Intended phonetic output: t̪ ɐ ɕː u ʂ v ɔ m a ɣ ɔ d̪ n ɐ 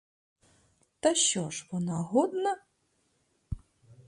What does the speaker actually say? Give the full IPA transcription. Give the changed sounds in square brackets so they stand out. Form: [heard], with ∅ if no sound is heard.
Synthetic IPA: t̪ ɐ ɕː [ɔ] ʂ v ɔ [n] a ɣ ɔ d̪ n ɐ